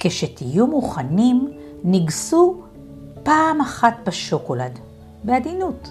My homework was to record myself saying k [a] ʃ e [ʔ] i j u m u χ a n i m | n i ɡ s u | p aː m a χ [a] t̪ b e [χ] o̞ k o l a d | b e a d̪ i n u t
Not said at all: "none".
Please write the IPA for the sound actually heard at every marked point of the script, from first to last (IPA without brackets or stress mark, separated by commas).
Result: e, t, a, ʃ